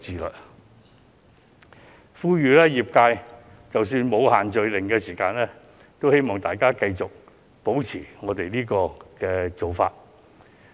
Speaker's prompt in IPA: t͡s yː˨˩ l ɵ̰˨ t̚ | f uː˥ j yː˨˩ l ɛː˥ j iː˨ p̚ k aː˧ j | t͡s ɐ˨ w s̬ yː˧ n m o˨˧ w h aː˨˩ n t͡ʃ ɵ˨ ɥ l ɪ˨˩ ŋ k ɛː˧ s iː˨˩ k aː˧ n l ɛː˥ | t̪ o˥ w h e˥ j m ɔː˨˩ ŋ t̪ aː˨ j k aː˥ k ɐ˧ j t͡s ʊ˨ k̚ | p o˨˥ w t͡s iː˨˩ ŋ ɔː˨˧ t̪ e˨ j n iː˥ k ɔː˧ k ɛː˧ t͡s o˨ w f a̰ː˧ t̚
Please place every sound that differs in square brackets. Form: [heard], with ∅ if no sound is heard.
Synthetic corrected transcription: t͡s [iː˨˩] l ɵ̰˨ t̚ | f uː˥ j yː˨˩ l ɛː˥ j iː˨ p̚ k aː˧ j | t͡s ɐ˨ w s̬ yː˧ n m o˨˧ w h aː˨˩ n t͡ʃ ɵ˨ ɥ l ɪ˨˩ ŋ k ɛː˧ s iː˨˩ k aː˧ n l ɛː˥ | t̪ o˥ w h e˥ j m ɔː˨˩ ŋ t̪ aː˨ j k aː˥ k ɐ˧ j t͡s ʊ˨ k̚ | p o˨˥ w [t͡sʰ] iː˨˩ ŋ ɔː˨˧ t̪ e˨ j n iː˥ k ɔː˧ k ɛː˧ t͡s o˨ w f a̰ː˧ t̚